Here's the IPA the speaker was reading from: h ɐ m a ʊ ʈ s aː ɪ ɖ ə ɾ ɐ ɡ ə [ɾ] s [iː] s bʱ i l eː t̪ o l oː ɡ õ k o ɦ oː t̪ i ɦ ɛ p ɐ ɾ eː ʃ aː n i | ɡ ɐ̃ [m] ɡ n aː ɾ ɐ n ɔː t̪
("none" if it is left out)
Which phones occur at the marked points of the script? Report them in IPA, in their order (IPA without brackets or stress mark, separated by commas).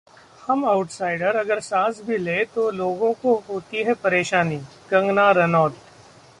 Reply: ɾ, aː, ŋ